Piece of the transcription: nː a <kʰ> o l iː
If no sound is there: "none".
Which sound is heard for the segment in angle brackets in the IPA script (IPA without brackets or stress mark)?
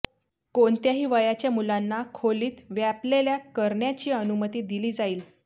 kʰ